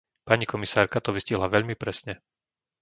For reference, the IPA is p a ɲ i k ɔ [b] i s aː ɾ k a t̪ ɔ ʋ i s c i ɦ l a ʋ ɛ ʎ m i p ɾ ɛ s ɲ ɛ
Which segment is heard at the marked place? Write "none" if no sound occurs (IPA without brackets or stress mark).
m